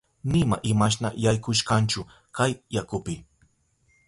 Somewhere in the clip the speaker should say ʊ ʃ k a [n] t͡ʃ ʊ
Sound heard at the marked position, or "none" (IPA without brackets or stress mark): n